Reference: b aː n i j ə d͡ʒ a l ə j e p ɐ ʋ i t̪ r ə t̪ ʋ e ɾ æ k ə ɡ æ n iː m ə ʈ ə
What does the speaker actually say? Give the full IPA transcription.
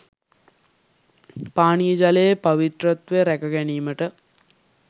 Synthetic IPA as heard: p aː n i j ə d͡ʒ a l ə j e p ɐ ʋ i t̪ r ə t̪ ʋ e ɾ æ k ə ɡ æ n iː m ə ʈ ə

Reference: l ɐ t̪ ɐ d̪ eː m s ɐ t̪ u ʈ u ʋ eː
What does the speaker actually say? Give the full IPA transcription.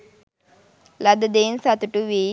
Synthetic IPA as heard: l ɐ d̪ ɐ d̪ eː n s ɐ t̪ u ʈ u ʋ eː

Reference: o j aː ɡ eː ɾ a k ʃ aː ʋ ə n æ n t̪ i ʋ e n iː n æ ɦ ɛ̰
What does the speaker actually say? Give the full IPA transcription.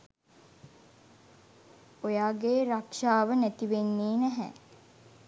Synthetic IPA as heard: o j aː ɡ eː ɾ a k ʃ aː ʋ ə n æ t̪ i ʋ e nː iː n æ ɦ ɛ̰

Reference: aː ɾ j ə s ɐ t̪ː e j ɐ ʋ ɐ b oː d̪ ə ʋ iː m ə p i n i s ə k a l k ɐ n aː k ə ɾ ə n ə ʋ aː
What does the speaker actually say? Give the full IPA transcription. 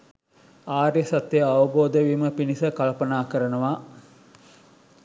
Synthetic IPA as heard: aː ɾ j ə s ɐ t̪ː e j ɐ ʋ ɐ b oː d̪ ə ʋ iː m ə p i n i s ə k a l p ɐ n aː k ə ɾ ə n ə ʋ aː

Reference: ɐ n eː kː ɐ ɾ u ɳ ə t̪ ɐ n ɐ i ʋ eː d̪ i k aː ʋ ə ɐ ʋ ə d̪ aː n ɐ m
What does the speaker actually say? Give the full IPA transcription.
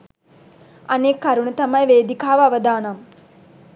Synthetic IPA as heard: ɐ n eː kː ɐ ɾ u ɳ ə t̪ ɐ m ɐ j ʋ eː d̪ i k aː ʋ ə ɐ ʋ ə d̪ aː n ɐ m

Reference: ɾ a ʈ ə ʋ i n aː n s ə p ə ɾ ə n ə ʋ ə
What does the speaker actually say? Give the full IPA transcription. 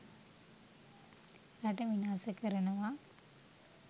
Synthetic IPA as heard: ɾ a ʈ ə ʋ i n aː s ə k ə ɾ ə n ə ʋ a

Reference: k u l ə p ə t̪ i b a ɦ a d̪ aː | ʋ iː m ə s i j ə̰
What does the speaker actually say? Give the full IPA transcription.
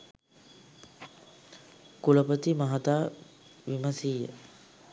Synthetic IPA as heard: k u l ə p ə t̪ i m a ɦ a t̪ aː | ʋ i m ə s i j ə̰

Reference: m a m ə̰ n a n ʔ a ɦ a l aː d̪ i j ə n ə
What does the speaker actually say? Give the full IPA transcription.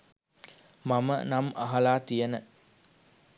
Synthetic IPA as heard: m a m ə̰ n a m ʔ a ɦ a l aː t̪ i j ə n ə

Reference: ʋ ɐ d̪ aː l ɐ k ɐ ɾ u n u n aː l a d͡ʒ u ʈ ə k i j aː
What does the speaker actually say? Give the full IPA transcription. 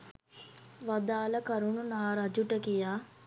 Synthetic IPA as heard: ʋ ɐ d̪ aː l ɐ k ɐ ɾ u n u n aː ɾ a d͡ʒ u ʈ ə k i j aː

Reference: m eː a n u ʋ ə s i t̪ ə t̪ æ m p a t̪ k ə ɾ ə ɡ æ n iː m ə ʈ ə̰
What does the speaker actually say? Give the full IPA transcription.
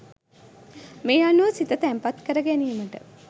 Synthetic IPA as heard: m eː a n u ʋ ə s i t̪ ə t̪ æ m p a t̪ k ə ɾ ə ɡ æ n iː m ə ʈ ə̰

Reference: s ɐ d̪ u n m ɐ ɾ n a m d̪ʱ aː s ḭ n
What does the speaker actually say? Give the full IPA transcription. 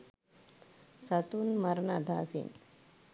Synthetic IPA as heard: s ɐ t̪ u n m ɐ ɾ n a d̪ʱ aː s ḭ n

